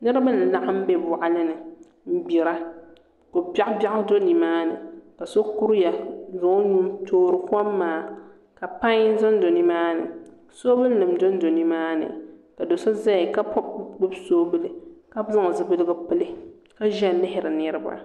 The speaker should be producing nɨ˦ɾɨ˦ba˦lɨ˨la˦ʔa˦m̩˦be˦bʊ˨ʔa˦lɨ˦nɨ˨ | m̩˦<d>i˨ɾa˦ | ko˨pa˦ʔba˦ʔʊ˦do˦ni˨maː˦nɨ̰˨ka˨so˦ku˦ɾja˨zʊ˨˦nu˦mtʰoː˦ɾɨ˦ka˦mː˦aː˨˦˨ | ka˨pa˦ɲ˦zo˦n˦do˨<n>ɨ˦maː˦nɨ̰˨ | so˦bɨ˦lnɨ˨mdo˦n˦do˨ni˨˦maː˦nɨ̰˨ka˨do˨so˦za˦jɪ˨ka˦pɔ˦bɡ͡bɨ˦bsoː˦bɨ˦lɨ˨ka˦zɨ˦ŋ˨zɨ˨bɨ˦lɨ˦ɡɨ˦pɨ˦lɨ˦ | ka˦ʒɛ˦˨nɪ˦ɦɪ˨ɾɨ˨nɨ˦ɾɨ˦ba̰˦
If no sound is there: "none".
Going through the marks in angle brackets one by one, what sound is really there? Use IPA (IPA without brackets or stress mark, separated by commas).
b, n